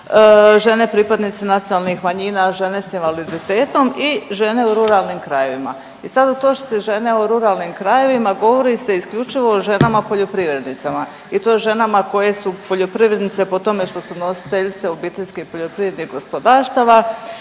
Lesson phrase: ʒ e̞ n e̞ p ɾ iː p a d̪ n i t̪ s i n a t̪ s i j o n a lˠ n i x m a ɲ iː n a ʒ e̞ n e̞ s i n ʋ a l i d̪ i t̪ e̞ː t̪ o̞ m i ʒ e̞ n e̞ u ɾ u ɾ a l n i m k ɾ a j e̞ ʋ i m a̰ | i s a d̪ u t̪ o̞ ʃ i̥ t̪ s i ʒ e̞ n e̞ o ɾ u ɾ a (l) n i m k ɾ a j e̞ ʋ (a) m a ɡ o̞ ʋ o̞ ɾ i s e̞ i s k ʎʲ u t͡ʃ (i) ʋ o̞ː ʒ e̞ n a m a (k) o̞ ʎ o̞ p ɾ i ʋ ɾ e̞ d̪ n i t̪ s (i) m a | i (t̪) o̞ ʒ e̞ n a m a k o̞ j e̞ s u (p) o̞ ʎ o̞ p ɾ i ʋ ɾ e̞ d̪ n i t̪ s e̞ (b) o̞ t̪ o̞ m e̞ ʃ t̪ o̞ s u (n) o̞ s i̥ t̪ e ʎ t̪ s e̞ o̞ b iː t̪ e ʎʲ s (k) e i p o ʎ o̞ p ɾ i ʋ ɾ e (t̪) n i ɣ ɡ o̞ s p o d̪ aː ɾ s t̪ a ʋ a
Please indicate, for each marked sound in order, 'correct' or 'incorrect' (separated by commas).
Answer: correct, incorrect, correct, incorrect, incorrect, correct, correct, incorrect, correct, correct, incorrect